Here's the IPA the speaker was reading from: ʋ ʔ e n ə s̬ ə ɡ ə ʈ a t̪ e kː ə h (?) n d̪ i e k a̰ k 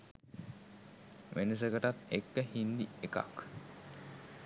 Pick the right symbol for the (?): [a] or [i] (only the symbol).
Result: i